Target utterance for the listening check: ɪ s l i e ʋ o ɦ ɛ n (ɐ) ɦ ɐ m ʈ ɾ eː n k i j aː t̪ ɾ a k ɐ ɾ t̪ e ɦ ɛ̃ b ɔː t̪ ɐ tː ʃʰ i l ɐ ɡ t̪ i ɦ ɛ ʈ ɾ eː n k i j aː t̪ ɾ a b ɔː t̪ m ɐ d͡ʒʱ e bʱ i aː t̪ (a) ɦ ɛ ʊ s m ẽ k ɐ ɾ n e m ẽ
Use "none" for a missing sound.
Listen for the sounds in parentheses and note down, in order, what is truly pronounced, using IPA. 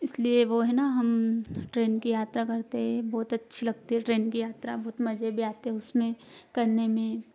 a, e

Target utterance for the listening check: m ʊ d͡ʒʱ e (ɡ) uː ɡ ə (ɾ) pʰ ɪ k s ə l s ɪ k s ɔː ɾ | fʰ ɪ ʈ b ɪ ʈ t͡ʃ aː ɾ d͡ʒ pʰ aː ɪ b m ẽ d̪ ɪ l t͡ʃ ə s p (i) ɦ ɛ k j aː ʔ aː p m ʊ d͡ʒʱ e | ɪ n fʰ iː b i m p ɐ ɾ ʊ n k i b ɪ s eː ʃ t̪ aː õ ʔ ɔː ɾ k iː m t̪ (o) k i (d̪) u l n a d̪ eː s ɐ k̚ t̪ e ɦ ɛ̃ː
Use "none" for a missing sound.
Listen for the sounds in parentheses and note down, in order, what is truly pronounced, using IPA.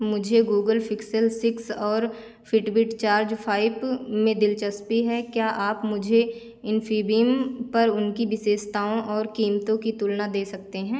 ɡ, l, i, õ, t̪

